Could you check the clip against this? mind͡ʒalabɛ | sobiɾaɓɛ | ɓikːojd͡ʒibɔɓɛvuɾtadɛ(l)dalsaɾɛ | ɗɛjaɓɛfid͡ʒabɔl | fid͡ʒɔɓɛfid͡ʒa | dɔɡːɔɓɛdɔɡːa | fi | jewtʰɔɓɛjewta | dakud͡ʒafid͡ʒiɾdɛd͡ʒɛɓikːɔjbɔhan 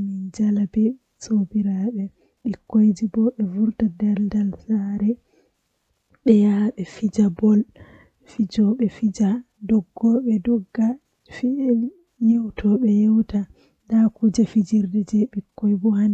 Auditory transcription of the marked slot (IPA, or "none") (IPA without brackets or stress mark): l